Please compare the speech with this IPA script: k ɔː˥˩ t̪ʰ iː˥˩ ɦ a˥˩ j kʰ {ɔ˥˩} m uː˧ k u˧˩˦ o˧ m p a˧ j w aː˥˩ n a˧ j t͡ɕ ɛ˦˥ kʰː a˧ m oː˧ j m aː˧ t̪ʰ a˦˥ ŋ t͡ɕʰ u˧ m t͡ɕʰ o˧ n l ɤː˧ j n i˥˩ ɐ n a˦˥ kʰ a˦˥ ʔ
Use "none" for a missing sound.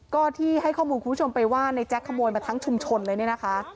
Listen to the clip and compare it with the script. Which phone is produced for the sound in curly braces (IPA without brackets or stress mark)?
ɔː˥˩